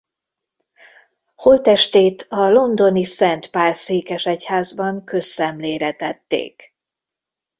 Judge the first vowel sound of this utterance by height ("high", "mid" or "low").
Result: mid